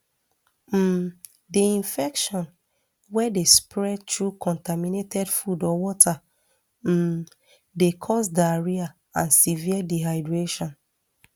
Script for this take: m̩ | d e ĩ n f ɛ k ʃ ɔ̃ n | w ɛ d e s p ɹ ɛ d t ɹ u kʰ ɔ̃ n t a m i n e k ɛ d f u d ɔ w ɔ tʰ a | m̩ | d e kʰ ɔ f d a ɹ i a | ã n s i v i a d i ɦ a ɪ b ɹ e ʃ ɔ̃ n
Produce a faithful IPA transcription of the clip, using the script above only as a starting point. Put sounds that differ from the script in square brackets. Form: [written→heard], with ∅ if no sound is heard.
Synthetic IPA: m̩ | d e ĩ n f ɛ k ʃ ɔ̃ n | w ɛ d e s p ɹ ɛ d t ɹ u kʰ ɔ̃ n t a m i n e [k→t] ɛ d f u d ɔ w ɔ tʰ a | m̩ | d e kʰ ɔ [f→s] d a ɹ i a | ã n s i v i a d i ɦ a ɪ [b→d] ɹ e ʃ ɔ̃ n

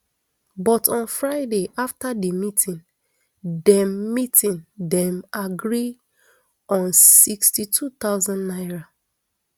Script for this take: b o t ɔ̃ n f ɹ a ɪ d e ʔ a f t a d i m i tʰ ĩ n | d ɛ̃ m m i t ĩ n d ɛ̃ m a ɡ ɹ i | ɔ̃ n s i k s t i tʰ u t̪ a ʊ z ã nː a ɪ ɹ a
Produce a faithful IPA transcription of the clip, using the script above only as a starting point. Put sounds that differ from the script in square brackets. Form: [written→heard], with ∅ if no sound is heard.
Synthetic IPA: b [o→ɔ] t ɔ̃ n f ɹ a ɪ d e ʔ a f t a d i m i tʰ ĩ n | d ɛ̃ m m i t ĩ n d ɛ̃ m a ɡ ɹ i | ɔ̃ n s i k s t i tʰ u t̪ a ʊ z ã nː a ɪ ɹ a

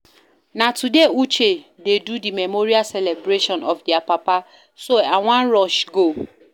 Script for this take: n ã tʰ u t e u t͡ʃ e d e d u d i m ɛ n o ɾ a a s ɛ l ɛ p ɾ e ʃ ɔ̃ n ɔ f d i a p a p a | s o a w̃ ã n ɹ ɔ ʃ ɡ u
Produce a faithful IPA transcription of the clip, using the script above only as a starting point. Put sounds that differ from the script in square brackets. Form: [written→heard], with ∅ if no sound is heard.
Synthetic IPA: n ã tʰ u [t→d] e u t͡ʃ e d e d u d i m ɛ [n→m] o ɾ [a→i] a s ɛ l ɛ [p→b] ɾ e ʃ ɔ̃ n ɔ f d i a p a p a | s o a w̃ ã n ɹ ɔ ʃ ɡ [u→o]

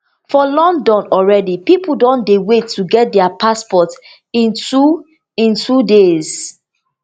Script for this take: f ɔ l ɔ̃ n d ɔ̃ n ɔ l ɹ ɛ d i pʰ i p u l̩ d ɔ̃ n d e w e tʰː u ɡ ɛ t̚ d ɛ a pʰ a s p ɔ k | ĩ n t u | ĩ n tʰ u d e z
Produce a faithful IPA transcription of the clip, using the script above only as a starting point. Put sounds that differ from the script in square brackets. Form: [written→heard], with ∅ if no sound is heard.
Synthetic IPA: f ɔ l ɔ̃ n d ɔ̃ n ɔ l ɹ ɛ d i [pʰ→p] i p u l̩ d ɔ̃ n d e w e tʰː u ɡ ɛ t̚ d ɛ a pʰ a s p ɔ [k→t] | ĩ n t u | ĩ n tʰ u d e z

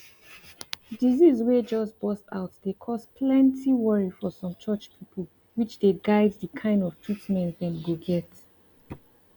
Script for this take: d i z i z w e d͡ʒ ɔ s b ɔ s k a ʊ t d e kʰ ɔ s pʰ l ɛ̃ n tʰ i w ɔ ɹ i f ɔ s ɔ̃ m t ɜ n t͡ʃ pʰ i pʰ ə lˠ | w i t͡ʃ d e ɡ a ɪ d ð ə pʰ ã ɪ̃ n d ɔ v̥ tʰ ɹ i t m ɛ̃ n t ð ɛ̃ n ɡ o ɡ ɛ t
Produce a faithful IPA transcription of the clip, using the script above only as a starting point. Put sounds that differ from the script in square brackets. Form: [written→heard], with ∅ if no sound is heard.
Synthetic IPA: d i z i z w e d͡ʒ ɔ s b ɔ s [k→t] a ʊ t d e kʰ ɔ s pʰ l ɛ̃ n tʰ i w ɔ ɹ i f ɔ s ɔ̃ m [t→t͡ʃ] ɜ [n→∅] t͡ʃ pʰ i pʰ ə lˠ | w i t͡ʃ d e ɡ a ɪ d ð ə [pʰ→kʰ] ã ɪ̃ n d ɔ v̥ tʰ ɹ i t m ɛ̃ n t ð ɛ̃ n ɡ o ɡ ɛ t

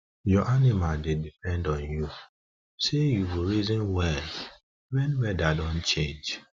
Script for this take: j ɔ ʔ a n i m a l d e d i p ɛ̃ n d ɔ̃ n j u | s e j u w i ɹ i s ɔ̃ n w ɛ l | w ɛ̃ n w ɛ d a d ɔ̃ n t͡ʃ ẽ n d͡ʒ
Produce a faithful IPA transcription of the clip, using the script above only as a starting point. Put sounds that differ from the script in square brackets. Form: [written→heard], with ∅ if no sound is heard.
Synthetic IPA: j ɔ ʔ a n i m a l d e d i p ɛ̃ n d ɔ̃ n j u | s e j u w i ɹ i [s→z] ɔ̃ n w ɛ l | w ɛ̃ n w ɛ d a d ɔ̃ n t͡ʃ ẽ n d͡ʒ

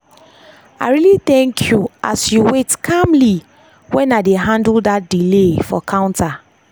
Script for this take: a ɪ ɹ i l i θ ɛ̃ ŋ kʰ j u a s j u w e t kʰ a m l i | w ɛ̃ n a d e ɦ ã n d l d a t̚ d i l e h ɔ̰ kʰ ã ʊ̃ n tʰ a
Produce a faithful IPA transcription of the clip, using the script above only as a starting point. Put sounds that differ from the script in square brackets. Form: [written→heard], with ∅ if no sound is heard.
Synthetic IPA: a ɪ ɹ i l i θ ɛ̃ ŋ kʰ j u a s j u w e t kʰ a m l i | w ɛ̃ n a d e ɦ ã n d l d a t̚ d i l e [h→f] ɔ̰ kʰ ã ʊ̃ n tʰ a

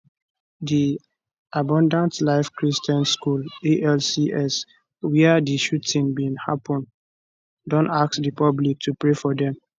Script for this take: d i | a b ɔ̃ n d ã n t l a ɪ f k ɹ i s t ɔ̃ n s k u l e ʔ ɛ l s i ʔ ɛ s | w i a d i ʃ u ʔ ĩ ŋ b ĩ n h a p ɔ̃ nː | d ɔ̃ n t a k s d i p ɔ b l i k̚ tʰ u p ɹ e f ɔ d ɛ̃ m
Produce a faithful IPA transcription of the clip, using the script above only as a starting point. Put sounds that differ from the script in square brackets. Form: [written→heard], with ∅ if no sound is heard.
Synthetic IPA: d i | a b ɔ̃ n d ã n t l a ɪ f k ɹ i s t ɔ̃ n s k u l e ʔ ɛ l s i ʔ ɛ s | w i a d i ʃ u [ʔ→t] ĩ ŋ b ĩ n h a p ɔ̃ [nː→n] | d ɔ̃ n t a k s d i p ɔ b l i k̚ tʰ u p ɹ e f ɔ d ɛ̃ m

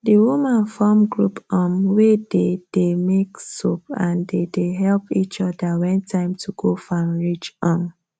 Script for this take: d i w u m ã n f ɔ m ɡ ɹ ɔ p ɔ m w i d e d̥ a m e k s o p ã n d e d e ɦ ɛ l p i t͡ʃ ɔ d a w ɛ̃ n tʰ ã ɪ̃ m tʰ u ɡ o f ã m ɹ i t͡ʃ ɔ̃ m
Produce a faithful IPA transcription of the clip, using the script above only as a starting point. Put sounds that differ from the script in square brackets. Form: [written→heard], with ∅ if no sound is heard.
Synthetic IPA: d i w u m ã n f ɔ m ɡ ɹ [ɔ→u] p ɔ m w [i→e] d e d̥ [a→e] m e k s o p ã n d e d e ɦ ɛ l p i t͡ʃ ɔ d a w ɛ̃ n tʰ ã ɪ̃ m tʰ u ɡ o f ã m ɹ i t͡ʃ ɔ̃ m

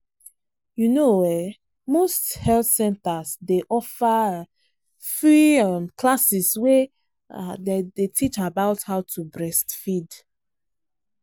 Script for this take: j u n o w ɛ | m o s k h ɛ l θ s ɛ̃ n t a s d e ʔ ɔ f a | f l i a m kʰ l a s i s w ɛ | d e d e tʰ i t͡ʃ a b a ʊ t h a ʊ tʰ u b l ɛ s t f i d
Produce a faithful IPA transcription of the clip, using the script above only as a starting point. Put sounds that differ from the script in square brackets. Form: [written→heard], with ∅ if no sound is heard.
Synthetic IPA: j u n o w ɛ | m o s [k→t] h ɛ l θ s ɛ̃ n t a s d e ʔ ɔ f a | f [l→ɹ] i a m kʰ l a s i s w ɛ | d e d e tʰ i t͡ʃ a b a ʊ t h a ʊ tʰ u b [l→ɹ] ɛ s t f i d

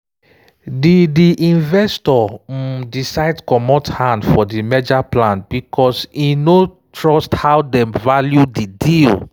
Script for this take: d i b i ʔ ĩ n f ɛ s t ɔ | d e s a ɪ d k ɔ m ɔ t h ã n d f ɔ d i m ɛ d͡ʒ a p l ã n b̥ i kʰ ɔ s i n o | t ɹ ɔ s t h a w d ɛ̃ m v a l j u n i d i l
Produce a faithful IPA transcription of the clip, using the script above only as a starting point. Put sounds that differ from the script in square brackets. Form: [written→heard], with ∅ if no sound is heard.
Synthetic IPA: d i [b→d] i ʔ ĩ n [f→v] ɛ s t ɔ | d [e→i] s a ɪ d k ɔ m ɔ t h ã n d f ɔ d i m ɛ d͡ʒ a p l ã n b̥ i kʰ ɔ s i n o | t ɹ ɔ s t h a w d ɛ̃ m v a l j u [n→d] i d i l

